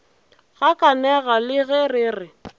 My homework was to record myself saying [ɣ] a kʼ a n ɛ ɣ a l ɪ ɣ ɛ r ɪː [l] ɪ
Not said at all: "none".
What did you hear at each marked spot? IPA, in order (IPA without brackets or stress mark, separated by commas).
ɣ, r